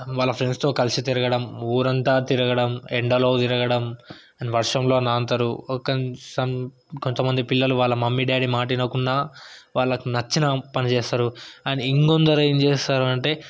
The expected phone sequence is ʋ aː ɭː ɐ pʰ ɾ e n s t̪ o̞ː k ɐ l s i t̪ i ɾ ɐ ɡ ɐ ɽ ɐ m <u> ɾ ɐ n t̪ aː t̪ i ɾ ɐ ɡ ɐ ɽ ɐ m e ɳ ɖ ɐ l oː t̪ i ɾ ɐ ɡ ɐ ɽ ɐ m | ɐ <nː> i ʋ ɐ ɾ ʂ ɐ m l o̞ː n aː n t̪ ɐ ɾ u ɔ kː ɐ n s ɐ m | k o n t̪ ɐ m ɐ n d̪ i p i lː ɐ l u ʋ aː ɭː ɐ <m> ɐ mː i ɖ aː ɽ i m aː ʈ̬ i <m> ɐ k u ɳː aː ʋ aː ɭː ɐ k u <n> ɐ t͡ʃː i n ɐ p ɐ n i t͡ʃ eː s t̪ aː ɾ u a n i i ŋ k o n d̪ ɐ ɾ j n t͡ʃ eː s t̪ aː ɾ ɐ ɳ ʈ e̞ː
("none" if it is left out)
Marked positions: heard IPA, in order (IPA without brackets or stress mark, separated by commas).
uː, n, m, n, n